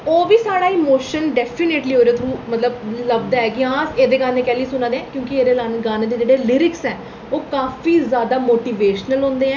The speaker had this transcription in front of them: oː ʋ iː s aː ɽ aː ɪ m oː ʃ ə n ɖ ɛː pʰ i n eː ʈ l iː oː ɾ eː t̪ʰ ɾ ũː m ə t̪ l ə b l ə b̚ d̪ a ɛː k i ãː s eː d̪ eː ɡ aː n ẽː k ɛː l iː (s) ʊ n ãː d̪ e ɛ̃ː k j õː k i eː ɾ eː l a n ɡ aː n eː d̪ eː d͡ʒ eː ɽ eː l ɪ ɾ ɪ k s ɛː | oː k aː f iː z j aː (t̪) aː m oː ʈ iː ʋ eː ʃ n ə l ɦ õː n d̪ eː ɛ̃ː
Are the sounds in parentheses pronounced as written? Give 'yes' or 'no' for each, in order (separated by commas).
yes, no